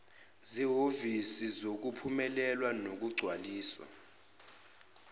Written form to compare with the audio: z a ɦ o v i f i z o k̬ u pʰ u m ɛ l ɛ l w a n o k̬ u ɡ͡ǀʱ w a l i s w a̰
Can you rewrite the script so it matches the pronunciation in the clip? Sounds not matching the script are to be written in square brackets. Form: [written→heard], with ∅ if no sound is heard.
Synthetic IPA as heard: z [a→i] ɦ o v i [f→s] i z o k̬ u pʰ u m ɛ l ɛ l w a n o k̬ u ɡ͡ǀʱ w a l [i→iː] s w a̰

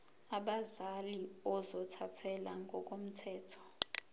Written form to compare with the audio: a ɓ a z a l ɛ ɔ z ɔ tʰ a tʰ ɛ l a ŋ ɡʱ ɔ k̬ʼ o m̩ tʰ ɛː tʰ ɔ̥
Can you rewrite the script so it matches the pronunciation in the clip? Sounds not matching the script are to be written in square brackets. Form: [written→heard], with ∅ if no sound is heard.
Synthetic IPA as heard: a ɓ a z a l [ɛ→i] ɔ z ɔ tʰ a tʰ ɛ l a ŋ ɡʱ ɔ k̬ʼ o m̩ tʰ ɛː tʰ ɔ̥

